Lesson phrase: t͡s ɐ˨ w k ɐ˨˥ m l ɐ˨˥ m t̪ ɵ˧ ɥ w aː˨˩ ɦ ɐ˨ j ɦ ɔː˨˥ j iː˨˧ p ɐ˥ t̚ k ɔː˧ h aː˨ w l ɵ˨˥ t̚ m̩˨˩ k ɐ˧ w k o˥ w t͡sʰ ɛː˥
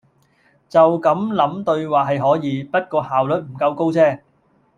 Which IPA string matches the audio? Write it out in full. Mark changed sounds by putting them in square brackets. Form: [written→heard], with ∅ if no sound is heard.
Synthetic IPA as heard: t͡s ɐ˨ w k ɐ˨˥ m l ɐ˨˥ m t̪ ɵ˧ ɥ w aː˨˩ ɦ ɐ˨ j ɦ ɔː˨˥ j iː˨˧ p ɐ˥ t̚ k ɔː˧ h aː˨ w l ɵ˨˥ t̚ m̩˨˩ k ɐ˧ w k o˥ w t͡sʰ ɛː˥